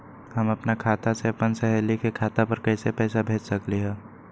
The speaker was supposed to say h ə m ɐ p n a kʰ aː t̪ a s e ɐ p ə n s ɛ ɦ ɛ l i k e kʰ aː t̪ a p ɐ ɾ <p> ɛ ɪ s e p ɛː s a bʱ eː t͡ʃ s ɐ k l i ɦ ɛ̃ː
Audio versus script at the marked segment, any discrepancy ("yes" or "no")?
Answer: yes